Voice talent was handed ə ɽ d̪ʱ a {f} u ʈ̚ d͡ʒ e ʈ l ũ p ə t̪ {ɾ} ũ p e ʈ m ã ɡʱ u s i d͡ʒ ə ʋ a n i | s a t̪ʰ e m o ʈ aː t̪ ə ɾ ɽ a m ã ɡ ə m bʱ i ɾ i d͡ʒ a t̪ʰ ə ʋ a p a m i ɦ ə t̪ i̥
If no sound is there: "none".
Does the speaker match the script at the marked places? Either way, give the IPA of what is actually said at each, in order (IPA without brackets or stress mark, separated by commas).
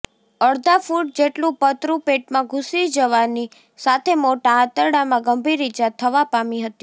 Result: f, ɾ